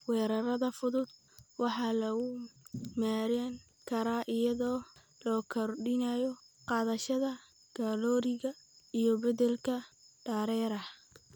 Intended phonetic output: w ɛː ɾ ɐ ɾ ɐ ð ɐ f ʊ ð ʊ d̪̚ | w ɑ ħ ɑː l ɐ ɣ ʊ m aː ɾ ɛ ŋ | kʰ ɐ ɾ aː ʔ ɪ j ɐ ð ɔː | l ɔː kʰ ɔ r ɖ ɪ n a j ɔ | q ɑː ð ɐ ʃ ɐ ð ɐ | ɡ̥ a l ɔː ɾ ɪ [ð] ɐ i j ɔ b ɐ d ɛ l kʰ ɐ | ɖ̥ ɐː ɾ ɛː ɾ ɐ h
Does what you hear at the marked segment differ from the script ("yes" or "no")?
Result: yes